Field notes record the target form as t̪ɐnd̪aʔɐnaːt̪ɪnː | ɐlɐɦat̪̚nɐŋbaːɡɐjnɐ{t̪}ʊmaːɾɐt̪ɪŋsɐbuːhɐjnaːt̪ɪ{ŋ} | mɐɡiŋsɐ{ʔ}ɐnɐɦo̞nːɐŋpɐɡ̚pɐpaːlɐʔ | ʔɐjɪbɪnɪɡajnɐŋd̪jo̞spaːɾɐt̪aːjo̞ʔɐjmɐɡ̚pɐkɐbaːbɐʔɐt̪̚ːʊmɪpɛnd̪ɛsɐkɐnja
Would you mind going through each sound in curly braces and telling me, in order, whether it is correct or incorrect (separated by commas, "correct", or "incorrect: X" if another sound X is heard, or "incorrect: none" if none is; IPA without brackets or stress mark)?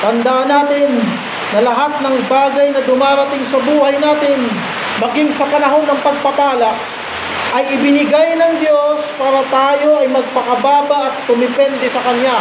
incorrect: d̪, incorrect: n, incorrect: p